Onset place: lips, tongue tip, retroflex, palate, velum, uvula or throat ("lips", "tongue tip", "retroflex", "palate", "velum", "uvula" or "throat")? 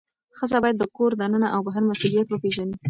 velum